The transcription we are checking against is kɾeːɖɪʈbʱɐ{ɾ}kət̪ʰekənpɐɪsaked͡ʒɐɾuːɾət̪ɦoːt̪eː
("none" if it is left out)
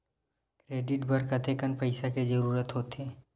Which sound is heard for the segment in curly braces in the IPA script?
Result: ɾ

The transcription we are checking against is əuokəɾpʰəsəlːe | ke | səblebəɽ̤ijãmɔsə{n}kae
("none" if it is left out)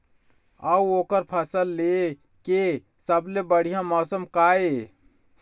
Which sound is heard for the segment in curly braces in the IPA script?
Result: m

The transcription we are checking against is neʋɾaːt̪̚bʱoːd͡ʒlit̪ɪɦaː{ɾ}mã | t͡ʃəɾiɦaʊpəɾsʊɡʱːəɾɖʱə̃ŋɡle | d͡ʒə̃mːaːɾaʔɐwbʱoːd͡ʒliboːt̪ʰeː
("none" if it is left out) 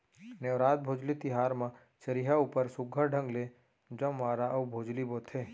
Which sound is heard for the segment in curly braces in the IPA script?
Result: ɾ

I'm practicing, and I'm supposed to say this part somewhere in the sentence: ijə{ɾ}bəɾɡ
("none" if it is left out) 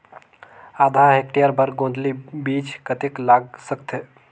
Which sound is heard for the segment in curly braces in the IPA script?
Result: ɾ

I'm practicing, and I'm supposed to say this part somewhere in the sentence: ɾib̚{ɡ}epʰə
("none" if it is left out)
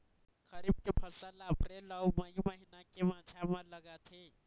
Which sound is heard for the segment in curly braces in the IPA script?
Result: k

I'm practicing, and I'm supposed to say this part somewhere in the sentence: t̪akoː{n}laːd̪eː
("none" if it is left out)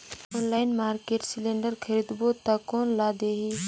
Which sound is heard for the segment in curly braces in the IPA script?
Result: n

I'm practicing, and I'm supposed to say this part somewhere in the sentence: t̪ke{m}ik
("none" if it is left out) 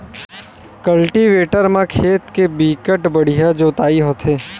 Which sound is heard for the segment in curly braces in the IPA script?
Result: b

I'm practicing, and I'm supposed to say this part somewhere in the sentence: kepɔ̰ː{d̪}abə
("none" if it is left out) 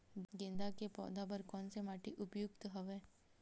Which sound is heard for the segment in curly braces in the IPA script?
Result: d̪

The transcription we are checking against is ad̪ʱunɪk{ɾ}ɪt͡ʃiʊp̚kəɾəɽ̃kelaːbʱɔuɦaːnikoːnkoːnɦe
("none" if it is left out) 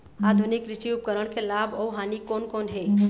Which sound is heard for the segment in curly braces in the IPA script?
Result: ɾ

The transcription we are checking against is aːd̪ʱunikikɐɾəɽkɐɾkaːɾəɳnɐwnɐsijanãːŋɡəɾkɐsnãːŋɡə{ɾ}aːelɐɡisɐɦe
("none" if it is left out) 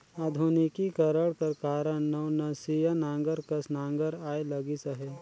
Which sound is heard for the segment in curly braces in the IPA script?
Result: ɾ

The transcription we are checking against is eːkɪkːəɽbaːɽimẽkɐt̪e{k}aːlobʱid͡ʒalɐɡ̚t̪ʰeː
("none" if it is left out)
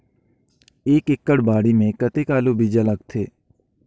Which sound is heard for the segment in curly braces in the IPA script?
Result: k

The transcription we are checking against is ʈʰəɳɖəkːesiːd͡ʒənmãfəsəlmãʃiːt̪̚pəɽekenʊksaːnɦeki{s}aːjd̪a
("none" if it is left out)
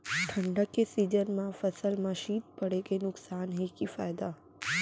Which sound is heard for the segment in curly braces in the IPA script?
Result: f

